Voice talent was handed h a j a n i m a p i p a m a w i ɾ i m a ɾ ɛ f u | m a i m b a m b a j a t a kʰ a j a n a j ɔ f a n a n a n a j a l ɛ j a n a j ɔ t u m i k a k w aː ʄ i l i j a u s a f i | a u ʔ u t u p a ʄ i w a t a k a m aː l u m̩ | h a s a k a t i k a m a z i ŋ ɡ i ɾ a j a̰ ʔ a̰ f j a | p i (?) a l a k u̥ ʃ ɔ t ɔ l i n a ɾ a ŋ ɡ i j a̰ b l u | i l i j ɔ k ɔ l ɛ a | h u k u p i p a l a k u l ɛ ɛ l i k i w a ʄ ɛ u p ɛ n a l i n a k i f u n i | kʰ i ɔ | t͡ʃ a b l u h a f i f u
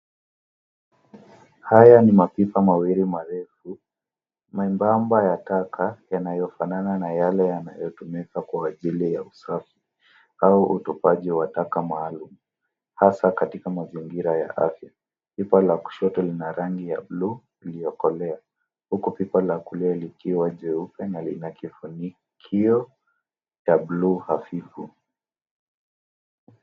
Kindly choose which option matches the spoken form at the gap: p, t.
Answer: p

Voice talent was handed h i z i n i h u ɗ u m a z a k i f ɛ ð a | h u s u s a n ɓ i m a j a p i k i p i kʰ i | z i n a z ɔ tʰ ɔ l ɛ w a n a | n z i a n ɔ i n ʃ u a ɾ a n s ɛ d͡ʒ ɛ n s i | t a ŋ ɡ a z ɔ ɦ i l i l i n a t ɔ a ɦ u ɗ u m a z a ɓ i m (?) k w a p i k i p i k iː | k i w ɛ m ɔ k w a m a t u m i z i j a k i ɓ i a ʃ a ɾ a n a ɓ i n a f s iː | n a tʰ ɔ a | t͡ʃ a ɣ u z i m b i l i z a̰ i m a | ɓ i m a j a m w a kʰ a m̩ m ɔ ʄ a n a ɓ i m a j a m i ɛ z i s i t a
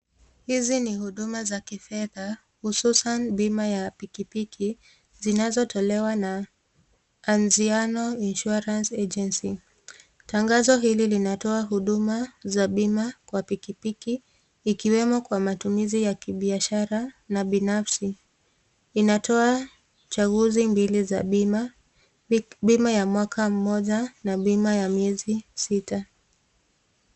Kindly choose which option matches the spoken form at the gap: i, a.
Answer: a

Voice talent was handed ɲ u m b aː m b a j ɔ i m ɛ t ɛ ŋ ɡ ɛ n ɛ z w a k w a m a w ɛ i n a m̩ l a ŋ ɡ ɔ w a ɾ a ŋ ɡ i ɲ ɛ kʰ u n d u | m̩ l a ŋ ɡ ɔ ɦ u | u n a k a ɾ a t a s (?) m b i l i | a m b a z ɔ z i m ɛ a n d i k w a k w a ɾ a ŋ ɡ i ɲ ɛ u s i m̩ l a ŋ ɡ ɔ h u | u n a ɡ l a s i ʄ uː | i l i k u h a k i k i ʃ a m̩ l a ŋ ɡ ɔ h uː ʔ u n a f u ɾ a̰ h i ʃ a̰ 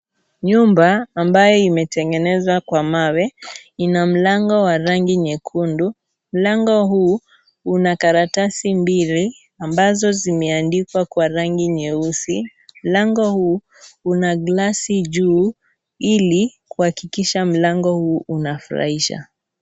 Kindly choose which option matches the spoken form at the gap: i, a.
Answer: i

